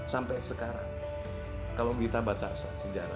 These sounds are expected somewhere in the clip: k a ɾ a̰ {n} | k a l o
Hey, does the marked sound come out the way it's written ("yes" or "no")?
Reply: no